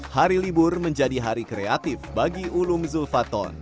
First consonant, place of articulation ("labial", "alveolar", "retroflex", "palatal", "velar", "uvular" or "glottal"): glottal